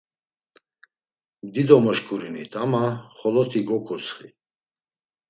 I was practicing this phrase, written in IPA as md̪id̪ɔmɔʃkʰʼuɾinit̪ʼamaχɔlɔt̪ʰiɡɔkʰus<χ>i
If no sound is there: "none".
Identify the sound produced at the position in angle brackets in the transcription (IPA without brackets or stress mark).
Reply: χ